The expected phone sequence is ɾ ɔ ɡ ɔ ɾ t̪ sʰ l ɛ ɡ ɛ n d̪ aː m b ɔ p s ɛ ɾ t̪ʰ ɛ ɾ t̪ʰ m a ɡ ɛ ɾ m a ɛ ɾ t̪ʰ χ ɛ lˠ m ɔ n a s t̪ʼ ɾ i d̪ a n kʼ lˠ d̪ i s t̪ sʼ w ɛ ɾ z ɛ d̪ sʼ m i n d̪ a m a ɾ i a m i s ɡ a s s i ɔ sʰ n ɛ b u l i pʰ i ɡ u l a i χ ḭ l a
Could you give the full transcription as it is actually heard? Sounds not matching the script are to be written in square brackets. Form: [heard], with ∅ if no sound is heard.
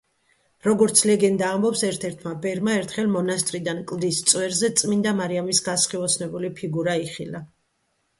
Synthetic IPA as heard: ɾ ɔ ɡ ɔ ɾ t̪ sʰ l ɛ ɡ ɛ n d̪ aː m b ɔ p s ɛ ɾ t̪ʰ ɛ ɾ t̪ʰ m a [b] ɛ ɾ m a ɛ ɾ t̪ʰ χ ɛ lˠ m ɔ n a s t̪ʼ ɾ i d̪ a n kʼ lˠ d̪ i s t̪ sʼ w ɛ ɾ z ɛ [t̪] sʼ m i n d̪ a m a ɾ i a m i s ɡ a s [χ] i ɔ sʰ n ɛ b u l i pʰ i ɡ u [ɾ] a i χ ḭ l a